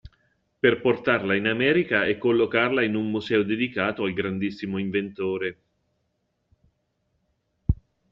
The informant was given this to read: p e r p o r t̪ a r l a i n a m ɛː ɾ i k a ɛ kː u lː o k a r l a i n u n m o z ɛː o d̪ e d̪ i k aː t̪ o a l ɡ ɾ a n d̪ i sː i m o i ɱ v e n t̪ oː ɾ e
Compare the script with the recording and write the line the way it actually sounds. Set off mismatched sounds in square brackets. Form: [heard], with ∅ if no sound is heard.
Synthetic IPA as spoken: p e r p o r t̪ a r l a i n a m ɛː ɾ i k a ɛ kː [o] lː o k a r l a i n u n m [u] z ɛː o d̪ e d̪ i k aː t̪ o a l ɡ ɾ a n d̪ i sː i m o i ɱ v e n t̪ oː ɾ e